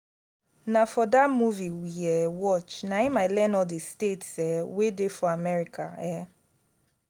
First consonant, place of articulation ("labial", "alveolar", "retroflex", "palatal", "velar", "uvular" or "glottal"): alveolar